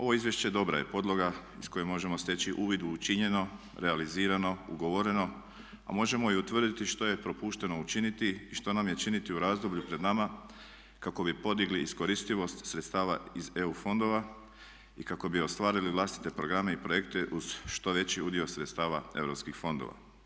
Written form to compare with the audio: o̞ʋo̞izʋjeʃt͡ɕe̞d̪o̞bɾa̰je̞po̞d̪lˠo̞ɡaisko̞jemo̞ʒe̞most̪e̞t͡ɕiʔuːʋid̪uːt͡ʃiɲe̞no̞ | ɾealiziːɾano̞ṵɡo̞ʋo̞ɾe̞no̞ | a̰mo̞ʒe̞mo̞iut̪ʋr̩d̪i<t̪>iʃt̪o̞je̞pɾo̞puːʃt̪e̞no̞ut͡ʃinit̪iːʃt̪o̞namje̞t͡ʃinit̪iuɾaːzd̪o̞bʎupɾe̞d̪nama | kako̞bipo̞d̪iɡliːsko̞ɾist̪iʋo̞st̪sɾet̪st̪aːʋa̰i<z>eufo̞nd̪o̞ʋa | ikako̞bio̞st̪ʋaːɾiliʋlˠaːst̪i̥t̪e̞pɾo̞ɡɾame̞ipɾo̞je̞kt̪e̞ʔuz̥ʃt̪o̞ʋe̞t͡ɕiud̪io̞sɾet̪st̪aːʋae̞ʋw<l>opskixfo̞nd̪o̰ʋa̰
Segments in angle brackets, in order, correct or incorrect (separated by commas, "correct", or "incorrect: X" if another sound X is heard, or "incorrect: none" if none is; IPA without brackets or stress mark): correct, correct, incorrect: ɾ